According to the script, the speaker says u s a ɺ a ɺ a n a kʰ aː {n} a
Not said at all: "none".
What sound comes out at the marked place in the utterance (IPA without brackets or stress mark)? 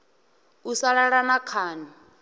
n